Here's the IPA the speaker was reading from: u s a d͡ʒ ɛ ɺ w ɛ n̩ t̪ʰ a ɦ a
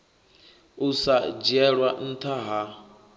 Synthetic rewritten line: u s a d͡ʒ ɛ ɺ w a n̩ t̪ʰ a ɦ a